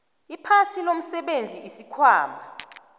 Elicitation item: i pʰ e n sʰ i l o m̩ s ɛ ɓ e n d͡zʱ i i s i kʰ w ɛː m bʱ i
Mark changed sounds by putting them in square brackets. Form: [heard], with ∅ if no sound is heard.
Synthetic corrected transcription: i pʰ [a] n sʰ i l o m̩ s ɛ ɓ e n d͡zʱ i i s i kʰ w [aː] m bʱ [a]